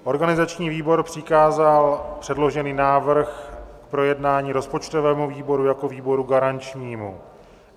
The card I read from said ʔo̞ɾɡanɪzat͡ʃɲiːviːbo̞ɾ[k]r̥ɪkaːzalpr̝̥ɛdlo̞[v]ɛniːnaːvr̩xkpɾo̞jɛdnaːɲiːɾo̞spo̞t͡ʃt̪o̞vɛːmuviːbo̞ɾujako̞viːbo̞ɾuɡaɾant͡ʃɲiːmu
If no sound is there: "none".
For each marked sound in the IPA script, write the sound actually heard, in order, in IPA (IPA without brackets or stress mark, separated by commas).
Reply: p, ʒ